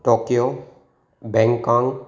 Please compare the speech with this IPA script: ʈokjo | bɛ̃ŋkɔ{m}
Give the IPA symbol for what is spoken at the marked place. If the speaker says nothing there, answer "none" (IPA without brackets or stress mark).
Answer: ŋ